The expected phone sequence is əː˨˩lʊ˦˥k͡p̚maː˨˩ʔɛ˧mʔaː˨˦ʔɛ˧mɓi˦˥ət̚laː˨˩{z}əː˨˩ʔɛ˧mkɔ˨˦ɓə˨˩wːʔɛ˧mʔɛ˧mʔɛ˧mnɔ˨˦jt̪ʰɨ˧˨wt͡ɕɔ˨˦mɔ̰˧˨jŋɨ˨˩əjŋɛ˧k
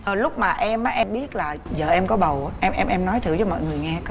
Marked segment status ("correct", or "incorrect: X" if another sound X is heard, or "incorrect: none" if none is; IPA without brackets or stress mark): correct